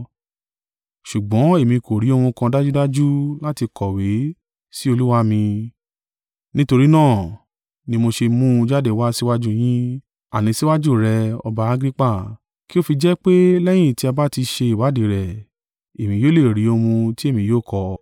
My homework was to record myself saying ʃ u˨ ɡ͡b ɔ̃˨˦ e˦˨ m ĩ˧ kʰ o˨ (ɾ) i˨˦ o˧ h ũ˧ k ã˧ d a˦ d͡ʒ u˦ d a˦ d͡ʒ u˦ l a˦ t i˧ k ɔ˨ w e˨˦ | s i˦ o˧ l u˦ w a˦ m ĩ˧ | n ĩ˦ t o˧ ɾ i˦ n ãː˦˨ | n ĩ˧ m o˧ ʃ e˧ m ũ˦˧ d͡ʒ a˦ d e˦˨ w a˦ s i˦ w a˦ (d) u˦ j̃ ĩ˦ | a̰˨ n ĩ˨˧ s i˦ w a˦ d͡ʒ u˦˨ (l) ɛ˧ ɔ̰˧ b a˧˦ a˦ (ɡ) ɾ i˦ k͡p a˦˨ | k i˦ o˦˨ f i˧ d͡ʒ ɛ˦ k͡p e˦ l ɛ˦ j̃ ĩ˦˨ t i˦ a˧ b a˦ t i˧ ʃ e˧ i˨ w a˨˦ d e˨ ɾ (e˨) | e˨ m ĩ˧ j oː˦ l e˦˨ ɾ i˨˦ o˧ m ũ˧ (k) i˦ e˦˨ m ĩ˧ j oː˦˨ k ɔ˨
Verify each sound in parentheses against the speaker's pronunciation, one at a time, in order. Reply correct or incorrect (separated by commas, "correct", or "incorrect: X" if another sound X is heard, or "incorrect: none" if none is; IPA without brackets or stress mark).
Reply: correct, incorrect: d͡ʒ, incorrect: ɾ, correct, incorrect: ɛ˨, incorrect: t